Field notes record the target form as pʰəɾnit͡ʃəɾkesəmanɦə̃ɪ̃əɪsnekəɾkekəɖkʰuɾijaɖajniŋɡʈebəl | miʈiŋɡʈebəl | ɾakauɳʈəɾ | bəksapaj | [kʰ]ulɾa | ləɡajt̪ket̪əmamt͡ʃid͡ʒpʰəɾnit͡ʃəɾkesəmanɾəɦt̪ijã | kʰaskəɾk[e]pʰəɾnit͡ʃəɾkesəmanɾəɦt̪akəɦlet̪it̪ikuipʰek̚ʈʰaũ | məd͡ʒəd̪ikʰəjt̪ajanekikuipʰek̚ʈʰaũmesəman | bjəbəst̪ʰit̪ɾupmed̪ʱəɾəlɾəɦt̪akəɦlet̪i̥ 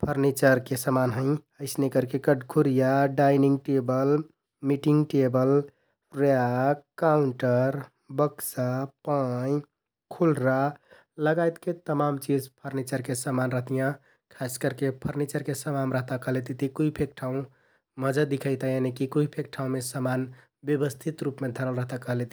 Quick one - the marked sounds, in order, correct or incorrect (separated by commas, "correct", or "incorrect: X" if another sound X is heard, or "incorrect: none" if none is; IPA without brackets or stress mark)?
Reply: correct, correct